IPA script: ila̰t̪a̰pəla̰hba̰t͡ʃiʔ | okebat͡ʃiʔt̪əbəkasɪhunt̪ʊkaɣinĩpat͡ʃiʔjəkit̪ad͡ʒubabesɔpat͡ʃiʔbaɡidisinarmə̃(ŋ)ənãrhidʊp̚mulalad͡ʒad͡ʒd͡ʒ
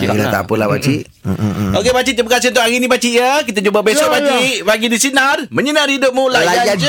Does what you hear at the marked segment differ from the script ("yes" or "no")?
yes